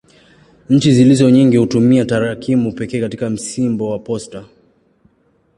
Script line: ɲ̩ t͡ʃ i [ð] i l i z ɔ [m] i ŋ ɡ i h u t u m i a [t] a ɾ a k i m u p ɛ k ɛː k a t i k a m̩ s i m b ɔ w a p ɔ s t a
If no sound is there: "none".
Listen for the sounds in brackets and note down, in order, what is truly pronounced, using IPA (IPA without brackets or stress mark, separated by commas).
z, ɲ, t